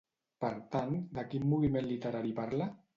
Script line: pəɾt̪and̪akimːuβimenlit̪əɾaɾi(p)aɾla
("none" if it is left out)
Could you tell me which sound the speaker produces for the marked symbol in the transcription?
p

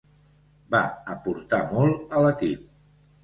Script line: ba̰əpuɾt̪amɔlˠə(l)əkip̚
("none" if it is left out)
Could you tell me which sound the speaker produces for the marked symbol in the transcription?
l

